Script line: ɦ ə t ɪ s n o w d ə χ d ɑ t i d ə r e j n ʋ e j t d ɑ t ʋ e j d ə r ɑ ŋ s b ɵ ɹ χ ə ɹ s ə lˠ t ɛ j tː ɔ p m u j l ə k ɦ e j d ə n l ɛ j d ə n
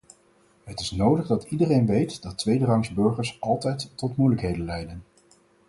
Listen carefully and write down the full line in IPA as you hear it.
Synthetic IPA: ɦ ə t ɪ s n o w d ə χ d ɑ t i d ə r e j n ʋ e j t d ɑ t ʋ e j d ə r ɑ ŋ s b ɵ ɹ χ ə ɹ s ɑ lˠ t ɛ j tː ɔ t m u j l ə k ɦ e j d ə n l ɛ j d ə n